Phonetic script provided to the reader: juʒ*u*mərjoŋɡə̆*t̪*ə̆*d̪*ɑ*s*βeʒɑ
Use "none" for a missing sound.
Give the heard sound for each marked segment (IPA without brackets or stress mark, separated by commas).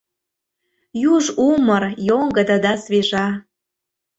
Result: u, d̪, d̪, s